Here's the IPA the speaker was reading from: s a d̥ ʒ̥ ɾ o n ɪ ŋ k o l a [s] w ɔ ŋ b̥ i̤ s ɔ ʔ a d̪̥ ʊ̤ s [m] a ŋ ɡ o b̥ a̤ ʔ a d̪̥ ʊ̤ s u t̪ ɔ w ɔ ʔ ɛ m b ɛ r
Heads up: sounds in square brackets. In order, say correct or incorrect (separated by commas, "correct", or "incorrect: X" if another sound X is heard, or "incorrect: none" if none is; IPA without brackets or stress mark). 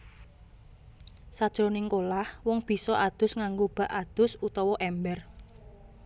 incorrect: h, incorrect: ŋ